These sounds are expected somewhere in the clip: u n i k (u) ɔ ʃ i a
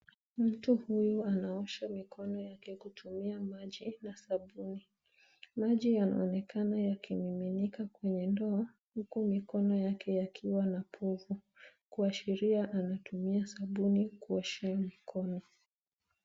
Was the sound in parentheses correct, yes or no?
yes